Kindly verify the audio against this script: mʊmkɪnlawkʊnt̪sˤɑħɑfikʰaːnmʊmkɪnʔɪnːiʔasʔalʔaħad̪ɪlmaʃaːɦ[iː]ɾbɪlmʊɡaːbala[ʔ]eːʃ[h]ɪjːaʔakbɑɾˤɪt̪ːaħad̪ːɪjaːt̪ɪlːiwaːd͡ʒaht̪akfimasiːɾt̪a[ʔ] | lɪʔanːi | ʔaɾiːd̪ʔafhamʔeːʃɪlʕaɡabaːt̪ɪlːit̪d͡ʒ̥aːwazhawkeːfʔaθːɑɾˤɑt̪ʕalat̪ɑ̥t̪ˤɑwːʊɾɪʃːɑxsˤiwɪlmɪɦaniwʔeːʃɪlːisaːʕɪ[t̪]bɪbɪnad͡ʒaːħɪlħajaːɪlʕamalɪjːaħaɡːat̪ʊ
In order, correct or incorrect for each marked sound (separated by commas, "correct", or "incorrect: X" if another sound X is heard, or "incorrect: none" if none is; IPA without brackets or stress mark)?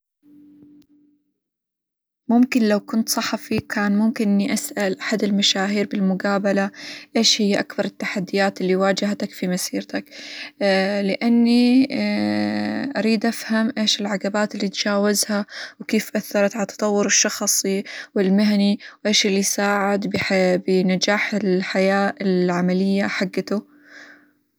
correct, correct, correct, incorrect: k, incorrect: d̪